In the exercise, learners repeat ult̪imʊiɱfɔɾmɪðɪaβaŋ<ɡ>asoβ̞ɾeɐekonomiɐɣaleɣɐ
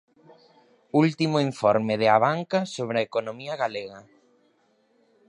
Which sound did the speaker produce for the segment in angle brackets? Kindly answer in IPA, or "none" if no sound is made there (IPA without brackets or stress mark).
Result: k